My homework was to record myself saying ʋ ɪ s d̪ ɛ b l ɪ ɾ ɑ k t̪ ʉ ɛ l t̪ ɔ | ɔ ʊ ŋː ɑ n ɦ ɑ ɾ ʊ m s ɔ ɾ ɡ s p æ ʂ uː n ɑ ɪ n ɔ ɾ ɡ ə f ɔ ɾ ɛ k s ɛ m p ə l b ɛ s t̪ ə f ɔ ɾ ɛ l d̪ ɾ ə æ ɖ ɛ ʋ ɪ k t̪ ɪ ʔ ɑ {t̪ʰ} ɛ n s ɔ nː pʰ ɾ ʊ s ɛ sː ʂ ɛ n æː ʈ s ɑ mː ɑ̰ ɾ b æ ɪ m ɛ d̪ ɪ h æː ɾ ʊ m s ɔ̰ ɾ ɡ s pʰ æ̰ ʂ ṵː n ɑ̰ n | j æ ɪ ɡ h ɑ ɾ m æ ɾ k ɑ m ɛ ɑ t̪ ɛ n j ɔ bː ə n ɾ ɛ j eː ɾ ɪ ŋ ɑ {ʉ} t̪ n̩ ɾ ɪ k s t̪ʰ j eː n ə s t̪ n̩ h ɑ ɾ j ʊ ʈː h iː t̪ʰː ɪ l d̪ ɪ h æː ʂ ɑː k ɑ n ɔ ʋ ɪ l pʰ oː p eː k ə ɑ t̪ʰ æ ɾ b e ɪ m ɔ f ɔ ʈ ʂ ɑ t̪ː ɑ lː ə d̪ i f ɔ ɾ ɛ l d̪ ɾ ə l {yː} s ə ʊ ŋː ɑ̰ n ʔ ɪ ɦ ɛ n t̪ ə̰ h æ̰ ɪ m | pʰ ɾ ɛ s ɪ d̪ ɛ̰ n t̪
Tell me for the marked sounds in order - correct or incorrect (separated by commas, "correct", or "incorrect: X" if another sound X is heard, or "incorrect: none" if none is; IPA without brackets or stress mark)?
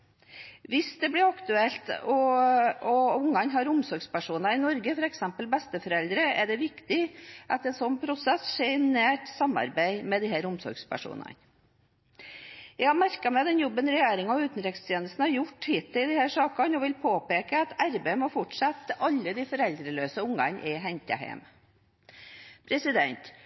incorrect: t̪, incorrect: ʉː, incorrect: øː